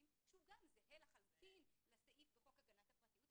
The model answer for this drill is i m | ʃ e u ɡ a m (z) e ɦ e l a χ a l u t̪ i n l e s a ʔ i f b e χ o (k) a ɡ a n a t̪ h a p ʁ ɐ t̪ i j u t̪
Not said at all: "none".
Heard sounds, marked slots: z, k

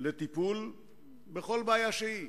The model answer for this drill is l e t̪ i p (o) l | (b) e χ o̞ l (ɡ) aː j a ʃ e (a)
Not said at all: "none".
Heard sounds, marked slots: u, b, b, i

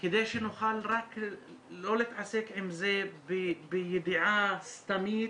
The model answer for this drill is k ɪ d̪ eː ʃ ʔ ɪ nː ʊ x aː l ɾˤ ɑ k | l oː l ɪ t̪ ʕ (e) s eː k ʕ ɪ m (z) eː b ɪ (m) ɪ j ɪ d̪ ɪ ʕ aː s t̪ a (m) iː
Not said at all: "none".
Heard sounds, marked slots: a, z, b, m

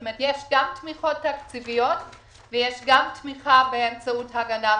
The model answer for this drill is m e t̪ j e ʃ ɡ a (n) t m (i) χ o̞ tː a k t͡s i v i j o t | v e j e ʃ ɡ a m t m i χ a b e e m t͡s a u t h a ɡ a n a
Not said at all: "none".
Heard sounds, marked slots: m, i

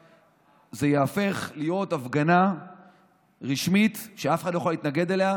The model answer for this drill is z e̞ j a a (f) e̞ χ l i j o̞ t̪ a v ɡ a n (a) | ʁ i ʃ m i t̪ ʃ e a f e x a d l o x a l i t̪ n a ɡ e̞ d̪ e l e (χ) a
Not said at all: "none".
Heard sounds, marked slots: f, a, none

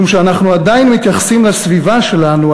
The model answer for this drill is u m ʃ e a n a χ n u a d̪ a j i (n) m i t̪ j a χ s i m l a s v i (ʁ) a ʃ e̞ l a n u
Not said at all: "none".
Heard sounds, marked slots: n, v

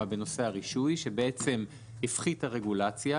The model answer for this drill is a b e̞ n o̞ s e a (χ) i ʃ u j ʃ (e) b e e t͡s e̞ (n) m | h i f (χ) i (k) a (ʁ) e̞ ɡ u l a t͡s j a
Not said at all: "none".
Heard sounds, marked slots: ʁ, e, none, χ, t, ʁ

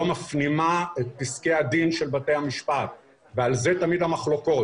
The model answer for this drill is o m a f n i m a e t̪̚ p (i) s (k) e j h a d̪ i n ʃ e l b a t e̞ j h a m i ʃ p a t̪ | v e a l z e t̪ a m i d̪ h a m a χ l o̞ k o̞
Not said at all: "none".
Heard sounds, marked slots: i, k

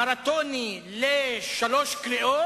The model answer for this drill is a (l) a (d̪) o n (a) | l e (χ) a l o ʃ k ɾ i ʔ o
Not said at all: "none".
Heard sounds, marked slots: ɾ, t̪, i, ʃ

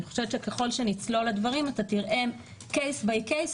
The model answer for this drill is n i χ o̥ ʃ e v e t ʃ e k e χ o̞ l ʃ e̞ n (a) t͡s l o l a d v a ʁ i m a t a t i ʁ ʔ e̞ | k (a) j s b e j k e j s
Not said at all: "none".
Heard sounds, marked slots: i, e

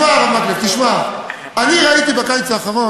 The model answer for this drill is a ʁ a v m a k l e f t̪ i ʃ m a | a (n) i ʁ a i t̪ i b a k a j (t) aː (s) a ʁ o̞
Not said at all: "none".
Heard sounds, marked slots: n, t͡s, χ

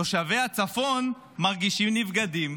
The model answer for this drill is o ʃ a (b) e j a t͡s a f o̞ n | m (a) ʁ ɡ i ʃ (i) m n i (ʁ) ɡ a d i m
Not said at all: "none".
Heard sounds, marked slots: v, a, i, v

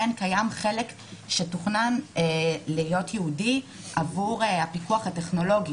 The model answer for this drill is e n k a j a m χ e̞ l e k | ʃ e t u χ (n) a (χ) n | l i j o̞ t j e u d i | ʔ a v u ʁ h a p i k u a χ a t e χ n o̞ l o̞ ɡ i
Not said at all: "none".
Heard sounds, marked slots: n, none

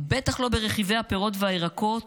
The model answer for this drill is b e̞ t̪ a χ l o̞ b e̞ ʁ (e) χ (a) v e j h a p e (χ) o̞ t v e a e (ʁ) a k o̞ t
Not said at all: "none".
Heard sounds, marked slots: e, i, ʁ, ʁ

